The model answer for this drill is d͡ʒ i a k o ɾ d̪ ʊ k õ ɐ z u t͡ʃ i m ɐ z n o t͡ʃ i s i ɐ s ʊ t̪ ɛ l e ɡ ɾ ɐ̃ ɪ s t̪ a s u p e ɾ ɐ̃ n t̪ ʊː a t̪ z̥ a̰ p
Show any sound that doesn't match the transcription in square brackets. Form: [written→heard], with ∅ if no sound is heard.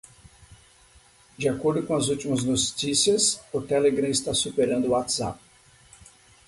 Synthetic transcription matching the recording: d͡ʒ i a k o ɾ d̪ ʊ k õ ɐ z u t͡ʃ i m ɐ z n o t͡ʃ i s i ɐ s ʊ t̪ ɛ l e ɡ ɾ ɐ̃ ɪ s t̪ a s u p e ɾ ɐ̃ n [t̪→d̪] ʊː a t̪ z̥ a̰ p